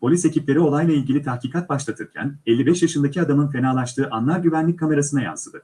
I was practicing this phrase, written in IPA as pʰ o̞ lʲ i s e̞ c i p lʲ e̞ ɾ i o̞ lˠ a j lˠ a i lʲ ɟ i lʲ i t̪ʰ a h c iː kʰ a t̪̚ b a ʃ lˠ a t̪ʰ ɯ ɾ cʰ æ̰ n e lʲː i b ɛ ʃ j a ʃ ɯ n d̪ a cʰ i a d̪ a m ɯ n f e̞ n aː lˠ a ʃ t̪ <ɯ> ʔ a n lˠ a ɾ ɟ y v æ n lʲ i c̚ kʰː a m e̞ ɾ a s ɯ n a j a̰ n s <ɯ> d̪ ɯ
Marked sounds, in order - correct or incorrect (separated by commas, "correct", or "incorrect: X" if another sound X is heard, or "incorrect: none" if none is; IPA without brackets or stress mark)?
incorrect: ɯː, correct